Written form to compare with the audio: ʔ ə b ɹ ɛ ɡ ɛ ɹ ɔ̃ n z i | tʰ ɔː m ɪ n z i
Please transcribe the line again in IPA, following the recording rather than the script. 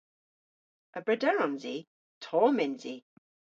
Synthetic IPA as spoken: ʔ ə b ɹ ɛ d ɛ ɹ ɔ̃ n z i | tʰ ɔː m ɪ n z i